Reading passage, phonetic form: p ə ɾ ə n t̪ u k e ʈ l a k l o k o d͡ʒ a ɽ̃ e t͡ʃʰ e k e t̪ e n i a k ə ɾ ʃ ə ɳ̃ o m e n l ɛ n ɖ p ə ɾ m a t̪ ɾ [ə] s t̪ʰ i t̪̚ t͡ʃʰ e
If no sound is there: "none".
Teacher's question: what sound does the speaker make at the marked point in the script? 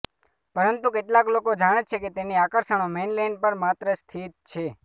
ə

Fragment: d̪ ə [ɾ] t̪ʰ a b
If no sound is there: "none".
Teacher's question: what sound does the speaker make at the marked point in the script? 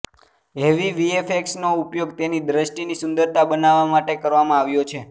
ɾ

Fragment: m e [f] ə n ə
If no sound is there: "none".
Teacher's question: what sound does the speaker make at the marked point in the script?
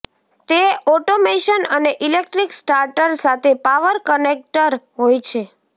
ʃ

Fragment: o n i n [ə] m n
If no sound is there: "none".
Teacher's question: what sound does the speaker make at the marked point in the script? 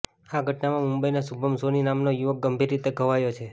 a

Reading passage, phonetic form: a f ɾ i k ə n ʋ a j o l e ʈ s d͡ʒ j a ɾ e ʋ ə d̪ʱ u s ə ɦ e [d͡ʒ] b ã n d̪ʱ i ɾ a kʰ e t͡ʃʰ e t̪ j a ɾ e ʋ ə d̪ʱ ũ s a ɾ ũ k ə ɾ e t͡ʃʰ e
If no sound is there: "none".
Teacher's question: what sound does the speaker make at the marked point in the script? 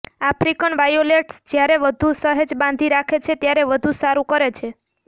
d͡ʒ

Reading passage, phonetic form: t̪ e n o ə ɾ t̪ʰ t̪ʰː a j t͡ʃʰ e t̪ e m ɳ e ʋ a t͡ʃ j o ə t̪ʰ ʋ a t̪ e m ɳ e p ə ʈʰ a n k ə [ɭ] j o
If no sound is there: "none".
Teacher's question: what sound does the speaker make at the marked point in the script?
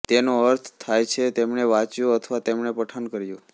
ɾ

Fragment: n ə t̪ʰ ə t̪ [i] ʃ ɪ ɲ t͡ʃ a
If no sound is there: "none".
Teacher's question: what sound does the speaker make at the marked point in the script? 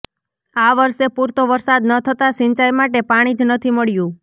a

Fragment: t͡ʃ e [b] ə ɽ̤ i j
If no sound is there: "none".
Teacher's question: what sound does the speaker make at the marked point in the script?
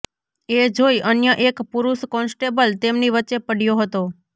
p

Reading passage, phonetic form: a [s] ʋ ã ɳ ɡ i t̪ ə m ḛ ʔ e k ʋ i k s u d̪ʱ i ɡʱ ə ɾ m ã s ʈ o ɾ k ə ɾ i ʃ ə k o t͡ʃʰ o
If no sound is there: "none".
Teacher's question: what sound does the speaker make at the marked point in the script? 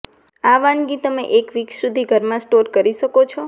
none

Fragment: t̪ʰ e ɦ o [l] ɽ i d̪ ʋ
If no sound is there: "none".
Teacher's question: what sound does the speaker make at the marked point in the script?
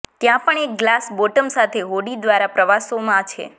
none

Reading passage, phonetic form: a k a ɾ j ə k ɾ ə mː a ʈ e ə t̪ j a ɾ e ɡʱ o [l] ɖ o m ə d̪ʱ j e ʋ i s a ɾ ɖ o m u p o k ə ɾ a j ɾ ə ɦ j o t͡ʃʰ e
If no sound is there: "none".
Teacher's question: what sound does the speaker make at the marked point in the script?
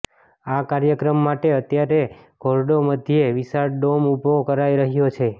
ɾ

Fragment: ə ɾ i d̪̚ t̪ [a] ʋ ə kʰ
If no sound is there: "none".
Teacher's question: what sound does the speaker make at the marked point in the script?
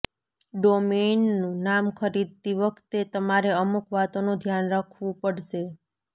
i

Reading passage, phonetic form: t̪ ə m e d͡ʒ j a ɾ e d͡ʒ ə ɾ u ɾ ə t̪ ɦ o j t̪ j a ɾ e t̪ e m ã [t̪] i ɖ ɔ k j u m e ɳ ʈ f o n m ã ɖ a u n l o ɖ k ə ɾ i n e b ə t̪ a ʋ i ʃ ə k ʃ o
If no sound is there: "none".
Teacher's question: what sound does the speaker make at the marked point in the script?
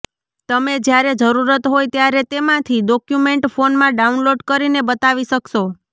t̪ʰ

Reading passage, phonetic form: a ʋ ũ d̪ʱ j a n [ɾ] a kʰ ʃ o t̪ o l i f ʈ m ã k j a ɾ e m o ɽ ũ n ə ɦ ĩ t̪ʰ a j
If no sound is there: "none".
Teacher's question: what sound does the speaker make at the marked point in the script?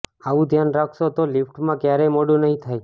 ɾ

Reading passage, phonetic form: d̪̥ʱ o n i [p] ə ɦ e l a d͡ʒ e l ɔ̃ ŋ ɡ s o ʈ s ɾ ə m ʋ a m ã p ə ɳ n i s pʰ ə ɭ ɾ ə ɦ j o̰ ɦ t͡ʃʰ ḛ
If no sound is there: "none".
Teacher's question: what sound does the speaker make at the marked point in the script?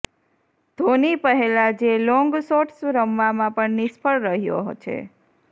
p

